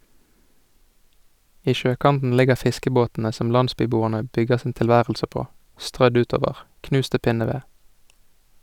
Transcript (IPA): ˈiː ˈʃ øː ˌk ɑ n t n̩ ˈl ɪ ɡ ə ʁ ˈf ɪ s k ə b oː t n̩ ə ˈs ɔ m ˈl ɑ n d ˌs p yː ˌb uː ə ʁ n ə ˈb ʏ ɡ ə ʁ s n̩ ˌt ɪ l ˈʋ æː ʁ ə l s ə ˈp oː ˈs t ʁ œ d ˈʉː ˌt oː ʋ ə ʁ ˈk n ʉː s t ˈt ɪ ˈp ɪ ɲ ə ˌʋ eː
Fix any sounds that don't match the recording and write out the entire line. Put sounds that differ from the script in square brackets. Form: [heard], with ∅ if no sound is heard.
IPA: ˈiː ˈʃ øː ˌk ɑ n t n̩ ˈl ɪ ɡ ə ʁ ˈf ɪ s k ə b oː t n̩ ə ˈs ɔ m ˈl ɑ n d ˌs p yː ˌb uː ə ʁ n ə ˈb ʏ ɡ ə ʁ s n̩ ˌt ɪ l ˈʋ æː ʁ ə l s ə ˈp oː ˈs t ʁ œ d ˈʉː ˌt oː ʋ ə ʁ ˈk n ʉː s t ˈt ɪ ˈp ɪ [n] ə ˌʋ eː

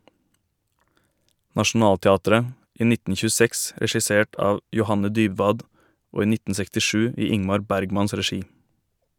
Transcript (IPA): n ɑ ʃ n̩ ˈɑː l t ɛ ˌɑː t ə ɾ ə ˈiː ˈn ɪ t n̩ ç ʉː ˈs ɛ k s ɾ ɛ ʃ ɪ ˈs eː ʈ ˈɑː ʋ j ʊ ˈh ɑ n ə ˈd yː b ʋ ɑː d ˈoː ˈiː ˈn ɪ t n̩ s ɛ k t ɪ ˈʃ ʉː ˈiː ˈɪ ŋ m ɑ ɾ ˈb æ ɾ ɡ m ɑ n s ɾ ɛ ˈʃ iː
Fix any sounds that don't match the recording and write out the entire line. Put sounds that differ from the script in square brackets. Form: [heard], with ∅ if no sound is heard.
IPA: n ɑ ʃ n̩ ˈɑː l t ɛ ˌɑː t ə ɾ ə ˈiː ˈn ɪ t n̩ ç ʉː ˈs ɛ k s ɾ ɛ ʃ ɪ ˈs eː ʈ ˈɑː ʋ j ʊ ˈh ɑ n ə ˈd yː b ʋ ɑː d ˈoː ˈiː ˈn ɪ t n̩ s ɛ k t ɪ ˈʃ ʉː ˈiː ˈɪ ŋ m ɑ ɾ ˈb æ ɾ ɡ m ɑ n s ɾ ɛ ˈʃ iː

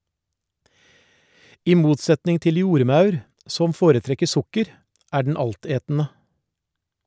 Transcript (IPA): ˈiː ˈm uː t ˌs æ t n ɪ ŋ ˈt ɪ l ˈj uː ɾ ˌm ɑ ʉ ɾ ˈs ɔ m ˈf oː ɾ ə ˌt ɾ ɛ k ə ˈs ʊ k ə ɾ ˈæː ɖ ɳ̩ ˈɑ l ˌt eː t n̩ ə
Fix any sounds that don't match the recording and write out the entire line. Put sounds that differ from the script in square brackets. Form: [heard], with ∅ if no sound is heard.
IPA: ˈiː ˈm uː t ˌs [ɛ] t n ɪ ŋ ˈt ɪ l ˈj uː ɾ ˌm ɑ ʉ ɾ ˈs ɔ m ˈf oː ɾ ə ˌt ɾ ɛ k ə ˈs ʊ k ə ɾ ˈæː ɖ ɳ̩ ˈɑ l ˌt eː t n̩ ə

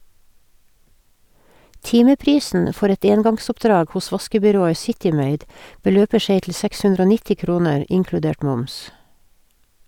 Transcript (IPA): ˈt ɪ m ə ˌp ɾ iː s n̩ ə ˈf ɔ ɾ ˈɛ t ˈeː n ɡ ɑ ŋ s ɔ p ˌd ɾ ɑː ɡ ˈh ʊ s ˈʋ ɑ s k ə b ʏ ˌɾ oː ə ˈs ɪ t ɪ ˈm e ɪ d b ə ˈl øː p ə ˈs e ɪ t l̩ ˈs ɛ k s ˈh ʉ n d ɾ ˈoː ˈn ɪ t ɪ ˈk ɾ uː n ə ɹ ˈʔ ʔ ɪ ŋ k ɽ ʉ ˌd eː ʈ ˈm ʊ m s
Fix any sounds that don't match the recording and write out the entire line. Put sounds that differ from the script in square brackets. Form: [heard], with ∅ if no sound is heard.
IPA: ˈt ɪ m ə ˌp ɾ iː s n̩ ə ˈf ɔ ɾ ˈɛ t ˈeː n ɡ ɑ ŋ s ɔ p ˌd ɾ ɑː ɡ ˈh ʊ s ˈʋ ɑ s k ə b ʏ ˌɾ oː ə ˈs ɪ t ɪ ˈm e ɪ d b ə ˈl øː p ə ˈs e ɪ t l̩ ˈs ɛ k s ˈh ʉ n d ɾ ˈoː ˈn ɪ t ɪ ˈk ɾ uː n ə ɹ ˈʔ ʔ ɪ ŋ k ɽ ʉ ˌd eː ʈ ˈm ʊ m s

